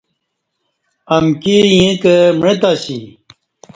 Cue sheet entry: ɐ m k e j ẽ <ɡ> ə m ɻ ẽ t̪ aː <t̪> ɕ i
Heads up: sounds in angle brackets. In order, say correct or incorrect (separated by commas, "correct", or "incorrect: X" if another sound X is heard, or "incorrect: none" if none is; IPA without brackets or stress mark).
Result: incorrect: k, incorrect: none